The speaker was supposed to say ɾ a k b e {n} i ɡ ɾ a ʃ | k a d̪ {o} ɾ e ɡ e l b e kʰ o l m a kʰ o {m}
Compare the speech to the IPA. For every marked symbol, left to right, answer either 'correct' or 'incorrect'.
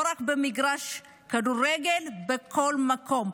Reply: incorrect: m, incorrect: u, correct

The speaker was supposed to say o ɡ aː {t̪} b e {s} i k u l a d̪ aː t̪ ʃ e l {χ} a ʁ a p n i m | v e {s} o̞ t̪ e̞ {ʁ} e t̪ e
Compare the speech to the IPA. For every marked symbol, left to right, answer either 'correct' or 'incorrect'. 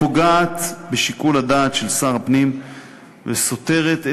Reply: correct, incorrect: ʃ, incorrect: s, correct, correct

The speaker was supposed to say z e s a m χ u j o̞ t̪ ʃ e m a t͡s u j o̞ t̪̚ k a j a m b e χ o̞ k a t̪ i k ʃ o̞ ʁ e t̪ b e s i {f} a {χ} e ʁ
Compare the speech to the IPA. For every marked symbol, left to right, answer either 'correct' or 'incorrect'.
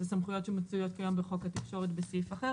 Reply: correct, correct

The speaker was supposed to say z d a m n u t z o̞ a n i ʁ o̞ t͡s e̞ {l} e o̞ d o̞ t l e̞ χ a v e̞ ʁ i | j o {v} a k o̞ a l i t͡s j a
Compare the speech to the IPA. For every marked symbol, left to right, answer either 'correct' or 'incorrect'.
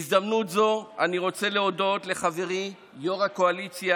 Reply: correct, incorrect: ʁ

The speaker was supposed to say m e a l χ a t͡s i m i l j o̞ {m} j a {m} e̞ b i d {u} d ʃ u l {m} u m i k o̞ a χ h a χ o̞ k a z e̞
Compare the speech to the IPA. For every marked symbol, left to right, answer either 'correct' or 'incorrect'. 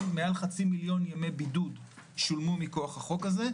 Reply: incorrect: n, correct, correct, correct

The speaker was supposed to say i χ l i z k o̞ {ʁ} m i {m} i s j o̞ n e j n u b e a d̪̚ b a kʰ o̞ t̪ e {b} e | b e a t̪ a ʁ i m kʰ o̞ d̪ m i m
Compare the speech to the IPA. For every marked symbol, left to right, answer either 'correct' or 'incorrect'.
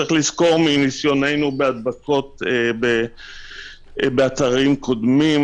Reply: correct, incorrect: n, correct

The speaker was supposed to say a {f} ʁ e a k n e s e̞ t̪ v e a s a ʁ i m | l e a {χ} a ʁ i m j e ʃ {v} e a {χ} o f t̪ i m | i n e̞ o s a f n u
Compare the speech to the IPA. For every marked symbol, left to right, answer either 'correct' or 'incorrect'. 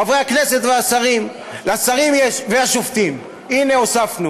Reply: incorrect: v, incorrect: s, correct, incorrect: ʃ

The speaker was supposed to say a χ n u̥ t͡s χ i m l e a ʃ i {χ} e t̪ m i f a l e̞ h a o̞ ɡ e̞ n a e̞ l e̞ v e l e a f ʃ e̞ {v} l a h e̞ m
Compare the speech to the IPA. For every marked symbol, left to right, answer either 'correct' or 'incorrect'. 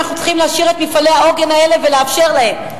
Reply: incorrect: ʁ, incorrect: ʁ

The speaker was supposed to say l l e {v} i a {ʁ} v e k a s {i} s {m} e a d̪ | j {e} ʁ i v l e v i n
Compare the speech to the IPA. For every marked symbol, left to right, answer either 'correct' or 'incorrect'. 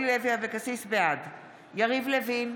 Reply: correct, incorrect: none, correct, incorrect: b, incorrect: a

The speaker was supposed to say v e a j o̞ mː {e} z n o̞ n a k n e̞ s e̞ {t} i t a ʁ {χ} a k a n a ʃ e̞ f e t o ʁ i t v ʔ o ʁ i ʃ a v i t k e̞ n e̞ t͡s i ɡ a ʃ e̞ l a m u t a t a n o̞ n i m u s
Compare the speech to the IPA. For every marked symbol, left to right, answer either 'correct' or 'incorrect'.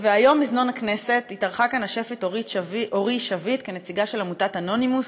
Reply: incorrect: i, correct, correct

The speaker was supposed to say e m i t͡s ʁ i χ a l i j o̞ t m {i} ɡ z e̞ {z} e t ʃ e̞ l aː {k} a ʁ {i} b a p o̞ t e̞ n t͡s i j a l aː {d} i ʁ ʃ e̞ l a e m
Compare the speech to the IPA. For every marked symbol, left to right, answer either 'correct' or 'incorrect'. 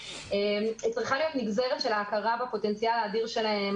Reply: correct, incorrect: ʁ, correct, incorrect: a, correct

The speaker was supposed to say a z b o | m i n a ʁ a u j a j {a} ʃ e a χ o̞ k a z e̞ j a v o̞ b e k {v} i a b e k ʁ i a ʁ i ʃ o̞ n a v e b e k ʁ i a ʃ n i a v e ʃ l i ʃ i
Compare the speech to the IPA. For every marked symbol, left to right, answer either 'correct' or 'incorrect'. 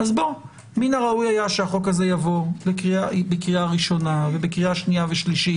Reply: correct, incorrect: ʁ

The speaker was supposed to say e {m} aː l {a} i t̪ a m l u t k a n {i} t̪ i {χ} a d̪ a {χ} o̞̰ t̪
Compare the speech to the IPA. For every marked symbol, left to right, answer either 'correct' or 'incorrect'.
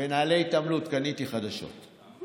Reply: incorrect: n, incorrect: e, correct, correct, incorrect: ʃ

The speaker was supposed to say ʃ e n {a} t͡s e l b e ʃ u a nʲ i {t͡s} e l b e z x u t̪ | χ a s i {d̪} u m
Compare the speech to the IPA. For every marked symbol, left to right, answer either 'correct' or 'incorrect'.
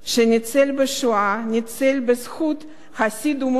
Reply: incorrect: i, correct, correct

